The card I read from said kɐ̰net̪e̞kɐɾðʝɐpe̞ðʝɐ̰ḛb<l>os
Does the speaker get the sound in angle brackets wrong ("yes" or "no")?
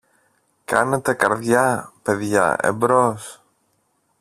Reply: yes